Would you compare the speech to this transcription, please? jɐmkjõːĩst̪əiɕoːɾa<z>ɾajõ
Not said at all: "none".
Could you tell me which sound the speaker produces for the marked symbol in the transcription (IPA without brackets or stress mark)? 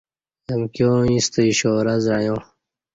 z